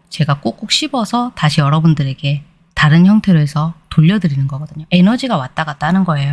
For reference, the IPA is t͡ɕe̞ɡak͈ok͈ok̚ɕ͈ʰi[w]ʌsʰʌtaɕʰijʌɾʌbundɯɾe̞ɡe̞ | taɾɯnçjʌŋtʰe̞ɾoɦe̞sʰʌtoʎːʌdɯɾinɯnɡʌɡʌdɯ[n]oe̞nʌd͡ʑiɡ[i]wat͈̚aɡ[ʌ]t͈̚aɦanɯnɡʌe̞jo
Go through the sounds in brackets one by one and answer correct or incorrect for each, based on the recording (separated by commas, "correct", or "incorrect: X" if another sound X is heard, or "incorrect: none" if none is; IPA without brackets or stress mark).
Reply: incorrect: b, incorrect: ɲ, incorrect: a, incorrect: a